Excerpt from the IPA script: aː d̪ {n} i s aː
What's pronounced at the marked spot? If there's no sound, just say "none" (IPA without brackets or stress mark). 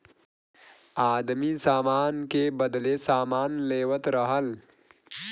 m